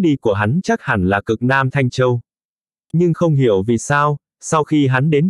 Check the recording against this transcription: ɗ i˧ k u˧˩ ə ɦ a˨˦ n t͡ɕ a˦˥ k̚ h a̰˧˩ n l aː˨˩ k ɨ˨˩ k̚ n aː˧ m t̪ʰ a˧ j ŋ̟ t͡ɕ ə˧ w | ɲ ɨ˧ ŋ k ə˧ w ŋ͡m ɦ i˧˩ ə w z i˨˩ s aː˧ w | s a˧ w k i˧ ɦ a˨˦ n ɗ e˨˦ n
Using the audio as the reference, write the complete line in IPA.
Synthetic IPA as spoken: ɗ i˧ k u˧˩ ə ɦ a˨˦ n t͡ɕ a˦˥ k̚ h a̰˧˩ n l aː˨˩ k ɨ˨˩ k̚ n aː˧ m t̪ʰ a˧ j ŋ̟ t͡ɕ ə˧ w | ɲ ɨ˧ ŋ x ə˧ w ŋ͡m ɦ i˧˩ ə w v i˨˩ s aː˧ w | s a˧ w x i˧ ɦ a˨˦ n ɗ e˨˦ n